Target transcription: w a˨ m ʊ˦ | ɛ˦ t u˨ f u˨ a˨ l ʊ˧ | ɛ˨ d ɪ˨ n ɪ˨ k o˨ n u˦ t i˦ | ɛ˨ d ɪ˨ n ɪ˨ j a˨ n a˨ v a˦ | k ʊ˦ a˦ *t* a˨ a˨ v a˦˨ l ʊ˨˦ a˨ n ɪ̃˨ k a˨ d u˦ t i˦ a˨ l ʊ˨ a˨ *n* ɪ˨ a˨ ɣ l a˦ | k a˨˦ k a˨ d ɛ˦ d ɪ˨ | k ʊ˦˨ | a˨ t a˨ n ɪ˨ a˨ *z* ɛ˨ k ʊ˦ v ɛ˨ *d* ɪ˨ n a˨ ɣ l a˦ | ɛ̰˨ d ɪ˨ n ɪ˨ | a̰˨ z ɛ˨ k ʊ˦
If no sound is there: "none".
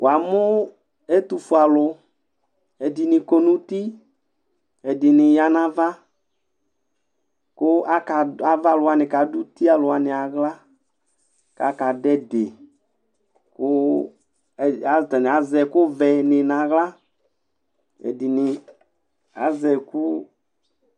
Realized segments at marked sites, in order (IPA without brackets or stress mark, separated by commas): k, n, z, n